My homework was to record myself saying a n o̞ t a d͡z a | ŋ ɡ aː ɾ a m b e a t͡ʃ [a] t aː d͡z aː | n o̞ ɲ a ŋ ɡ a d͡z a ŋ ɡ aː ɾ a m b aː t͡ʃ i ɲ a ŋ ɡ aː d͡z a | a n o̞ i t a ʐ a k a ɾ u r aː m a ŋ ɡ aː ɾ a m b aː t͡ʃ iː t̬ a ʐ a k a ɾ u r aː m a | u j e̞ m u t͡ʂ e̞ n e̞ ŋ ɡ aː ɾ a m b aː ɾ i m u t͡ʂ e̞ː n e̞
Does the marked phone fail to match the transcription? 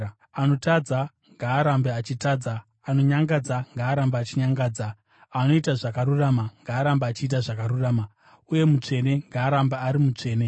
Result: yes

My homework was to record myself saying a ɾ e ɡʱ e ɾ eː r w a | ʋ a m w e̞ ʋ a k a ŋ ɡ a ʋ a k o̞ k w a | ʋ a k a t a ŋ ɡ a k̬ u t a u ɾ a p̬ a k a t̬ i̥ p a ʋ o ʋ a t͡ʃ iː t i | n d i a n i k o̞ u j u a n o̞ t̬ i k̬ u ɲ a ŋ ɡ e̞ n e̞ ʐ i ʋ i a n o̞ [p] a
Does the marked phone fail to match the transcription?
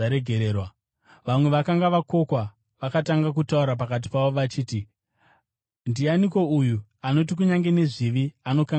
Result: yes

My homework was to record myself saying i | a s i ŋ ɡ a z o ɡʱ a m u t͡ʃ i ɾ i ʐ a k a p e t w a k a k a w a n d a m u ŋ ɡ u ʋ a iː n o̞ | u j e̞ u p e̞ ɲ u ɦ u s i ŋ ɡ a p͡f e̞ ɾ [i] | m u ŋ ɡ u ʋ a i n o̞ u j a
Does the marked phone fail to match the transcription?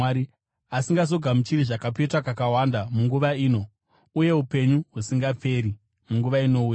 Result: no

